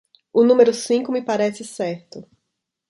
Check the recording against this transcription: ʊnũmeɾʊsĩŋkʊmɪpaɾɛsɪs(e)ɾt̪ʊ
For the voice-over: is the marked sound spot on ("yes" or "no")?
no